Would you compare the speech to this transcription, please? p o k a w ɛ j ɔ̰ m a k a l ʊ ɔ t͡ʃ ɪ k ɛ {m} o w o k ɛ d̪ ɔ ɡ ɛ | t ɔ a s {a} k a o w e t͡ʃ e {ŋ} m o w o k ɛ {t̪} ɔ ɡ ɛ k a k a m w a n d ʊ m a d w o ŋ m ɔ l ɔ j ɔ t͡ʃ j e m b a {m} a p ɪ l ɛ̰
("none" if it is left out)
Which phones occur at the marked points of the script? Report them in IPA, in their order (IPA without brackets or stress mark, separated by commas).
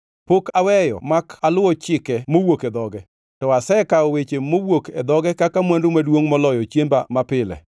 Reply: m, ɛ, none, d̪, m